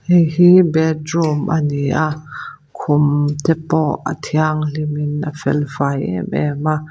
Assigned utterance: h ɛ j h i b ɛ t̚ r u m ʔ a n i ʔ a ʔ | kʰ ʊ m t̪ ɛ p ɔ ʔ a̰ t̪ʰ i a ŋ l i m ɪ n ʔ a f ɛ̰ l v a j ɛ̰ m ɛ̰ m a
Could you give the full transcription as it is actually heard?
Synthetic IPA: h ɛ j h i b ɛ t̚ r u m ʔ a n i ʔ a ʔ | kʰ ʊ m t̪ ɛ p ɔ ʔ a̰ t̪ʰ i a ŋ l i m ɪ n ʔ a f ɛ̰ l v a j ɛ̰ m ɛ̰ m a